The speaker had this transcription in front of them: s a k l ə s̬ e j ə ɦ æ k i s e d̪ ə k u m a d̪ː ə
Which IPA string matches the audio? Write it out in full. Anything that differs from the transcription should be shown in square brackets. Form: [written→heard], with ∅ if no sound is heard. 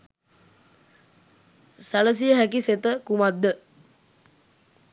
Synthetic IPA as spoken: s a [k→∅] l ə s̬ [e→i] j ə ɦ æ k i s e [d̪→t̪] ə k u m a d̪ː ə